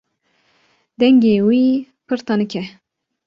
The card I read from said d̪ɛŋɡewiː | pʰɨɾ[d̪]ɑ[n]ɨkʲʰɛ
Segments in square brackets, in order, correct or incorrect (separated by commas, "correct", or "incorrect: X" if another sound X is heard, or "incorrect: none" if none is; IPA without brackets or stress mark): incorrect: t̪, correct